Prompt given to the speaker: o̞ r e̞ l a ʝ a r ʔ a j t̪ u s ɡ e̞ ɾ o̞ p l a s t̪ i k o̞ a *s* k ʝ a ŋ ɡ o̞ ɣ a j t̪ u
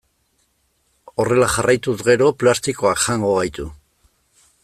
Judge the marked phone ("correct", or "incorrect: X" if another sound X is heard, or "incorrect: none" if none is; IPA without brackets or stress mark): incorrect: none